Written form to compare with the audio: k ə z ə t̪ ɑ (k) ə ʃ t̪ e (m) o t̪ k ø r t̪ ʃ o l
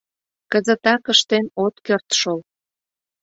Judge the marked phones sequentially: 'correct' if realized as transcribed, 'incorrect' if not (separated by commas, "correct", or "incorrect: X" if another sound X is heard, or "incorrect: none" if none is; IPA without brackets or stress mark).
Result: correct, incorrect: n